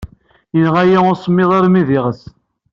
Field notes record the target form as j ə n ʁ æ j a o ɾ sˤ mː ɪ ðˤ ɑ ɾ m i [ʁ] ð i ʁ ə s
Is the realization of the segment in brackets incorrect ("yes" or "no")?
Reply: yes